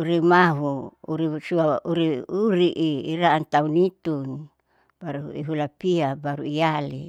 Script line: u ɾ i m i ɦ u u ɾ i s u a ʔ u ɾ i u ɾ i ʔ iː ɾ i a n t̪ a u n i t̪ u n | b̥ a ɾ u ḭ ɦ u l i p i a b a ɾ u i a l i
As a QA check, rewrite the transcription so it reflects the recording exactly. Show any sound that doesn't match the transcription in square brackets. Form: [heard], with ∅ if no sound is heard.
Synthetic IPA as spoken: u ɾ i m [a] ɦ u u ɾ i s u a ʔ u ɾ i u ɾ i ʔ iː ɾ [a] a n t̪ a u n i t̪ u n | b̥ a ɾ u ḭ ɦ u l [a] p i a b a ɾ u i a l i